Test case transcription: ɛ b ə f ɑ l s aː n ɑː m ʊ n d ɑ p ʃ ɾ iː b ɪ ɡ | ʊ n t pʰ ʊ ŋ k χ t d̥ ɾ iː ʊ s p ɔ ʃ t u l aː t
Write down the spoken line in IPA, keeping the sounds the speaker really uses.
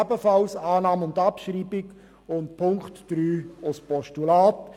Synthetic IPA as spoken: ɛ b ə f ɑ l s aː n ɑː m ʊ n d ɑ p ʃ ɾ iː b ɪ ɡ | ʊ n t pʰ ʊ ŋ k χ t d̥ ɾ yː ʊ s p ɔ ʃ t u l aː t